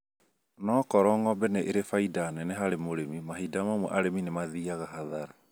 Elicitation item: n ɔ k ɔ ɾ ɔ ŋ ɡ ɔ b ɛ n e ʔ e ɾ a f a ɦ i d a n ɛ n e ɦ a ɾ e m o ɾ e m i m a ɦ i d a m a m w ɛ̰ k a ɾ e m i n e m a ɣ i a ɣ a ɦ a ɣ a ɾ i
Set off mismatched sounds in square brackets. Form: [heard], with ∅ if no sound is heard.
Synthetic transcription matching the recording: n ɔ k ɔ ɾ ɔ ŋ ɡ ɔ b ɛ n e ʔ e ɾ [e] f a [∅] i d a n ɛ n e ɦ a ɾ e m o ɾ e m i m a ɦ i d a m a m w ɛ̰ [ʔ] a ɾ e m i n e m a [ð] i a ɣ a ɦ a [ð] a ɾ [a]